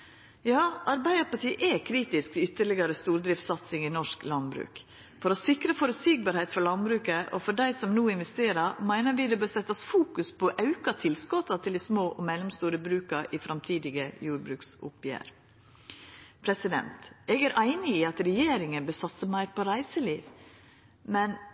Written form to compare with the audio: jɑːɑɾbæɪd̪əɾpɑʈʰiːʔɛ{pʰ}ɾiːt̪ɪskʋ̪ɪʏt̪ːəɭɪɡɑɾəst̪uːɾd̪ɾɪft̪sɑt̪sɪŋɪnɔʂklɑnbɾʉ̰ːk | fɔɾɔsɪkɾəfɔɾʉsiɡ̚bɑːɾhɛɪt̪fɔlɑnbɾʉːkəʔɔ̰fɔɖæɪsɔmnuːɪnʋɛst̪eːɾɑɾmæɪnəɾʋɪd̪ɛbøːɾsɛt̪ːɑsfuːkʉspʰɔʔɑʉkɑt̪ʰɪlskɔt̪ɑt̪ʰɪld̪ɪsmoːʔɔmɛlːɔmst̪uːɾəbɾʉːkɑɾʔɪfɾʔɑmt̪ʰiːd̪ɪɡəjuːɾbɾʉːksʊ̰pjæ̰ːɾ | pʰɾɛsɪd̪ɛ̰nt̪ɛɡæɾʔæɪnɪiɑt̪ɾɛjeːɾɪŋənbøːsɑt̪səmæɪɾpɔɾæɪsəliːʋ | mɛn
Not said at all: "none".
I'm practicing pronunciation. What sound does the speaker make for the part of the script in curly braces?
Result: kʰ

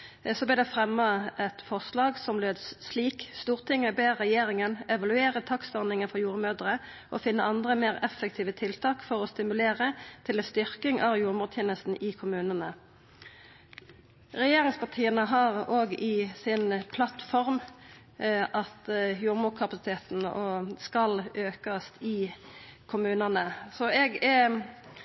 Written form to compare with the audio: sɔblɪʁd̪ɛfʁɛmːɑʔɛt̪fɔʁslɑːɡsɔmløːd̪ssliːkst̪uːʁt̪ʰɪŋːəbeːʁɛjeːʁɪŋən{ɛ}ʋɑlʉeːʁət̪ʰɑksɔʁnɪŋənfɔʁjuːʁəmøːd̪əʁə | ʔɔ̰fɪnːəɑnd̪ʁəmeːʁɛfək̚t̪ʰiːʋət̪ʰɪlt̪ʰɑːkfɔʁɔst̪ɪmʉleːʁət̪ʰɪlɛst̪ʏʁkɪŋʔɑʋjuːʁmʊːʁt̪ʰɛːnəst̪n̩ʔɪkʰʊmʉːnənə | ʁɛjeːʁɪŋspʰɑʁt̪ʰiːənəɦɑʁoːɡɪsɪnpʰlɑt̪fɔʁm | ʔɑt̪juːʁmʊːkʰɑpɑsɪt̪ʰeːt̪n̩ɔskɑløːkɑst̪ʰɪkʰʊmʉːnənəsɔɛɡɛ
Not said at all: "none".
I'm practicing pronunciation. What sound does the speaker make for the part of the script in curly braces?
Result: ɛ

